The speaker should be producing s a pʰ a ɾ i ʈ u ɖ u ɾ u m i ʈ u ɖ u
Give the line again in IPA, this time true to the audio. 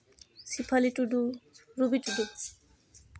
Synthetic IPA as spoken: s i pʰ a l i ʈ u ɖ u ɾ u b i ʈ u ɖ u